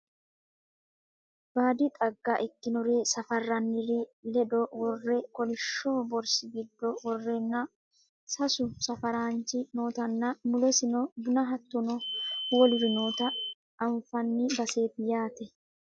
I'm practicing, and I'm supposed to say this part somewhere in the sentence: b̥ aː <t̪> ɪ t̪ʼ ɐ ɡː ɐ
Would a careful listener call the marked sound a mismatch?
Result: yes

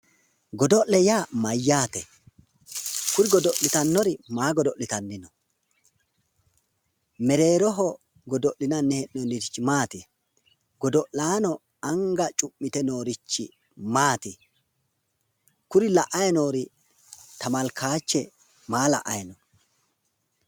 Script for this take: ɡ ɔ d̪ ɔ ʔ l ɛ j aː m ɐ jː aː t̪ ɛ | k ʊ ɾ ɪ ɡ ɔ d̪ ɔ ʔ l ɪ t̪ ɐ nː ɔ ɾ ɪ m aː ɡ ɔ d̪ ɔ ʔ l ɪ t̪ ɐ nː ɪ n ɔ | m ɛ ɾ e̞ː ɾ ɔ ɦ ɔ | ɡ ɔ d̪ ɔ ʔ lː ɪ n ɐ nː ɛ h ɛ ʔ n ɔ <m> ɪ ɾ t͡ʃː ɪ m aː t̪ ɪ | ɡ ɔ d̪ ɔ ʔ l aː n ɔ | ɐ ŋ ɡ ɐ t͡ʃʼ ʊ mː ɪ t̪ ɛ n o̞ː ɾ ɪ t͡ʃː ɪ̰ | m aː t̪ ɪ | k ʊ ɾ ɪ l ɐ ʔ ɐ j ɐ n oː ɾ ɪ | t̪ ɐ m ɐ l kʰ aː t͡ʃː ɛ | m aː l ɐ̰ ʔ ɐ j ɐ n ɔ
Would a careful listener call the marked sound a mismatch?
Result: yes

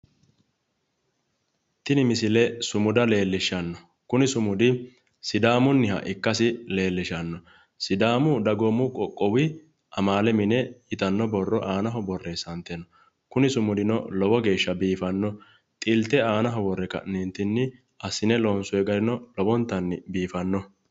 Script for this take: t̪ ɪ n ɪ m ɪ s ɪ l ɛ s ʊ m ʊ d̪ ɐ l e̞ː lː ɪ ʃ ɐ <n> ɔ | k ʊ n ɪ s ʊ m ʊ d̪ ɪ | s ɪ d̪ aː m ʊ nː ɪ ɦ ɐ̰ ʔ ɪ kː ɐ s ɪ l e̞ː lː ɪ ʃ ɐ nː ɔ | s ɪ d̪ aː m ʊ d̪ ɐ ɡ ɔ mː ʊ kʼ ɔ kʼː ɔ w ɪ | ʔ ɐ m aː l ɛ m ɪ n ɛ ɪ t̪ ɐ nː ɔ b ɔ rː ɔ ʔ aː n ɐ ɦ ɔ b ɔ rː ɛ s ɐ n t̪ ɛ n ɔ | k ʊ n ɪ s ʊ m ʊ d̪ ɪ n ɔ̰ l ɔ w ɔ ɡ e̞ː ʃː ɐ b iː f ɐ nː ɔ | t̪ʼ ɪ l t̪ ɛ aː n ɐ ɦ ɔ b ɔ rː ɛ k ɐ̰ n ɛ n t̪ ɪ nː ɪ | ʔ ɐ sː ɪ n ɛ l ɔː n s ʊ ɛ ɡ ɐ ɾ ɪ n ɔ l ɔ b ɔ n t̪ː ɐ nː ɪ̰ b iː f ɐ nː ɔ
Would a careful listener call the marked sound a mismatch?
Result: yes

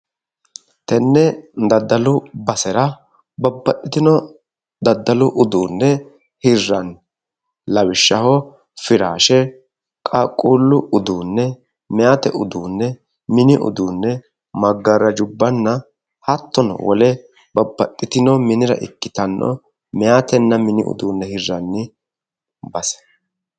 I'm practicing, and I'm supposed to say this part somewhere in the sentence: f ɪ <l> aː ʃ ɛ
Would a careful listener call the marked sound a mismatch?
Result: yes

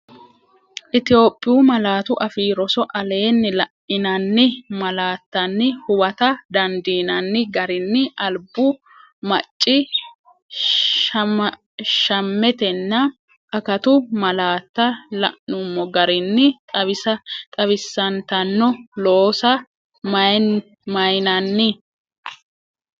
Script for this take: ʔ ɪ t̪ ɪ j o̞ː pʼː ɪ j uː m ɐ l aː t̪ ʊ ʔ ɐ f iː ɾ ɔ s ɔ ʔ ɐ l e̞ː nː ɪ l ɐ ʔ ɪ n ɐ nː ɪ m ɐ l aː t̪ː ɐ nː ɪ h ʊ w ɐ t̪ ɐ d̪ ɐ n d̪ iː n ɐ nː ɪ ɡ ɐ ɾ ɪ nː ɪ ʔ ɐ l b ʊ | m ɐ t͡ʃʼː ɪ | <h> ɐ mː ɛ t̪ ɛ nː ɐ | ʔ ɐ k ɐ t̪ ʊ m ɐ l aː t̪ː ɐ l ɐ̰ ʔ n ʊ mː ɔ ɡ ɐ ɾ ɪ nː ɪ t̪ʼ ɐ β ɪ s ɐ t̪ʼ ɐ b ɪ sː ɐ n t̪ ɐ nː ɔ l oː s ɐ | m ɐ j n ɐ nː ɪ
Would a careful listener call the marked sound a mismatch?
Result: yes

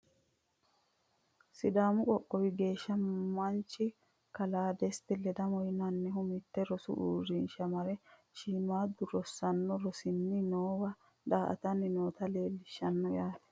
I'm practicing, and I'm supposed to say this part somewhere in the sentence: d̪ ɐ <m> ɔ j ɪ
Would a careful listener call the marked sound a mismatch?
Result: no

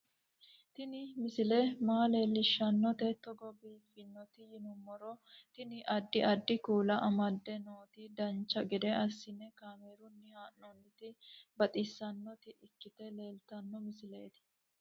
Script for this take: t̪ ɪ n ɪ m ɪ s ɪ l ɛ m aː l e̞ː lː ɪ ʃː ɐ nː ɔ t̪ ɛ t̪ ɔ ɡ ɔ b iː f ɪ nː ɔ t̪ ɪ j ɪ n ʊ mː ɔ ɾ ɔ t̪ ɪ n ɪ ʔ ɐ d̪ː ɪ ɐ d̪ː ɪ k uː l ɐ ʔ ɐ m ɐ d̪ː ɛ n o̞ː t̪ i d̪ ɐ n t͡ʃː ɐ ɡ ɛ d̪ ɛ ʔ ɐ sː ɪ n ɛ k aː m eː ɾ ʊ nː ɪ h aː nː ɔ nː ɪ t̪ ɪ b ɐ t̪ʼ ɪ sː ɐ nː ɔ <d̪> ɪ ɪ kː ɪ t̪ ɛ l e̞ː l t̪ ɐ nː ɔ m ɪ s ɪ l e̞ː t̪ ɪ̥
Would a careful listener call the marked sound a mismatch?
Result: yes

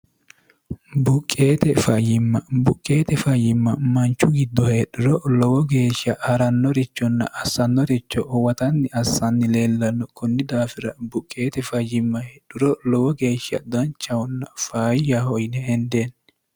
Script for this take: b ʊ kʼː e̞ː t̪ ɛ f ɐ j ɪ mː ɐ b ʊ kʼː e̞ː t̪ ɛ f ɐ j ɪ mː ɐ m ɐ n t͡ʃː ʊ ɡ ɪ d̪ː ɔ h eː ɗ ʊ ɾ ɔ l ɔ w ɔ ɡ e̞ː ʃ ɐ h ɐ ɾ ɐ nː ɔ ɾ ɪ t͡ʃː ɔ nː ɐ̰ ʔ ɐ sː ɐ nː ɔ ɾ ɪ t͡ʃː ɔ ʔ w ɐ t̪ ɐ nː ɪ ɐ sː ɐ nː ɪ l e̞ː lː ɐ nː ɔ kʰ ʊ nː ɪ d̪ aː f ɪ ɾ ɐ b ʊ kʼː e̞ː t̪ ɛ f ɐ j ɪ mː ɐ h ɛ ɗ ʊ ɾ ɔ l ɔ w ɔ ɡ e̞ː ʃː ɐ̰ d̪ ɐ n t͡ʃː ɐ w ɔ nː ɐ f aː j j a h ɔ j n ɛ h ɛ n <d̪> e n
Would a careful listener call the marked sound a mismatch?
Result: no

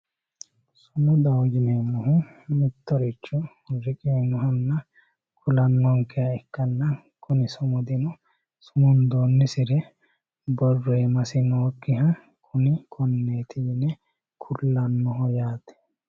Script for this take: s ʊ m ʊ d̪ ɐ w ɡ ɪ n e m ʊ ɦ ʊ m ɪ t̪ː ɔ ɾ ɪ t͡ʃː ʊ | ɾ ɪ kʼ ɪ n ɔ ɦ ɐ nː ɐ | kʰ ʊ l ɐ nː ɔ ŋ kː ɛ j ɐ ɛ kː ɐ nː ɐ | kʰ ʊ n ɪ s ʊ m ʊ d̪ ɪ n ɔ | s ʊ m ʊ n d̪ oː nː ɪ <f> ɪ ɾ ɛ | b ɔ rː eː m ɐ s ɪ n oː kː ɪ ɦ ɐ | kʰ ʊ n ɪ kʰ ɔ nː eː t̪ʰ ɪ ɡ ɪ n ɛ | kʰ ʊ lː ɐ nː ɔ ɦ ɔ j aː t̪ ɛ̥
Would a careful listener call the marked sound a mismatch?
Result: yes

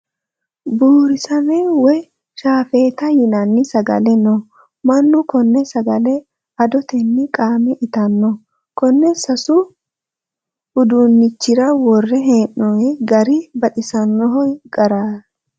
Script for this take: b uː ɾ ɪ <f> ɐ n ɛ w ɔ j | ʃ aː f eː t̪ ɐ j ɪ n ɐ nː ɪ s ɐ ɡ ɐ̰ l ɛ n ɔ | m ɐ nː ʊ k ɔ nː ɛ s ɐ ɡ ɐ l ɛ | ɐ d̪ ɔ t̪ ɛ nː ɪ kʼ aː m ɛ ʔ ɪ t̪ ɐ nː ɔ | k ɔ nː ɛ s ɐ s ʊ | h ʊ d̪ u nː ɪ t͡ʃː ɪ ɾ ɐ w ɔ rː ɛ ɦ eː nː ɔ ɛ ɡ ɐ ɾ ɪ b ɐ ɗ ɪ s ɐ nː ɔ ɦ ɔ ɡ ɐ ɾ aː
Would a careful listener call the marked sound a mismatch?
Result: yes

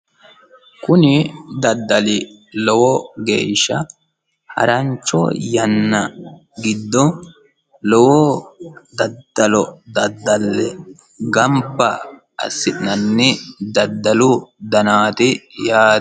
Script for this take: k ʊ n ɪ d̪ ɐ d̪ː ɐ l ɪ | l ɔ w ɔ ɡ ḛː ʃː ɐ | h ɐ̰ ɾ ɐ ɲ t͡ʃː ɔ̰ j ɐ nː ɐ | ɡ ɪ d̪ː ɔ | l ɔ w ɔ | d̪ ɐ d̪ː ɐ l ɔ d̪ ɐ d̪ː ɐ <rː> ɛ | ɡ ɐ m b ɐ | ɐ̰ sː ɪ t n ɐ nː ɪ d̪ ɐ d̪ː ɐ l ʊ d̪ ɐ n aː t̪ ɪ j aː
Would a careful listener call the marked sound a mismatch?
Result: yes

